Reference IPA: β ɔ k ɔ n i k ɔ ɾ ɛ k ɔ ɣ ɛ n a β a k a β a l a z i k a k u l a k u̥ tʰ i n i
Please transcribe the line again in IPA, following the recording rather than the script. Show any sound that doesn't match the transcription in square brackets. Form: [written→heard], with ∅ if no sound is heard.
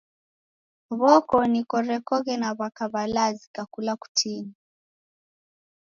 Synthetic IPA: β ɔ k ɔ n i k ɔ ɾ ɛ k ɔ ɣ ɛ n a β a k a β a l a z i k a k u l a k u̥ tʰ i n i